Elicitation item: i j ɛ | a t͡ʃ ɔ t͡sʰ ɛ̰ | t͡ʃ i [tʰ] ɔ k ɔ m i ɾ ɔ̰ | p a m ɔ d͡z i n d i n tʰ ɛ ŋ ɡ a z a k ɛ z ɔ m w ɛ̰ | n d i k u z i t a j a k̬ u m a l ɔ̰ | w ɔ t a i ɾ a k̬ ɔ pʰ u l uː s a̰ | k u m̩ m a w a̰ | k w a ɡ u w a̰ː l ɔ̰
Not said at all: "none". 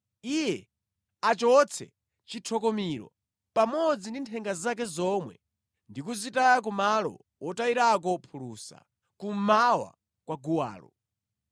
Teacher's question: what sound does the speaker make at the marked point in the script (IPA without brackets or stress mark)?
tʰ